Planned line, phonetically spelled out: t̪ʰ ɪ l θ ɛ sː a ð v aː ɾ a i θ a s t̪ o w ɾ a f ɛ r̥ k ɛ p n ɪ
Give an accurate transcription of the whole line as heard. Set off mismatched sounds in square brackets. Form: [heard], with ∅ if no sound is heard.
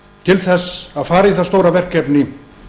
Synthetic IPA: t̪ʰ ɪ l θ ɛ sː a ð [f] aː ɾ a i θ a s t̪ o w ɾ a [v] ɛ r̥ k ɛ p n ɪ